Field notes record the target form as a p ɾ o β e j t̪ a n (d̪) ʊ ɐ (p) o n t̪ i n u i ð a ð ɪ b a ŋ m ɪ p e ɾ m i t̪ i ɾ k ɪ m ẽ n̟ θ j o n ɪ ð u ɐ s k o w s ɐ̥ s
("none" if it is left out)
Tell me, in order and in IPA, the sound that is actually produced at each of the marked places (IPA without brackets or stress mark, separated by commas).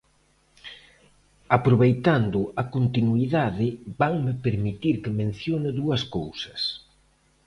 d̪, k